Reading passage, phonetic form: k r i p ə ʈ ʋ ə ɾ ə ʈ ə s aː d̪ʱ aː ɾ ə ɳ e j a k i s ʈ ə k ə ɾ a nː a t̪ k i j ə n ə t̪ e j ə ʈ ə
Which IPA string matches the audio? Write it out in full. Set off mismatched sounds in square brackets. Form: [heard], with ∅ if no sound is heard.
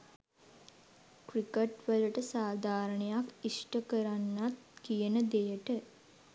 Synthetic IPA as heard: k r i [k] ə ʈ ʋ ə [l] ə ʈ ə s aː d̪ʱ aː ɾ ə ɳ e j a k i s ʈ ə k ə ɾ a nː a t̪ k i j ə n ə [d̪] e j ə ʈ ə